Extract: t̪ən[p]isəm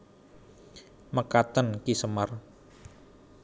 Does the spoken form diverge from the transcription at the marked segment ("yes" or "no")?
yes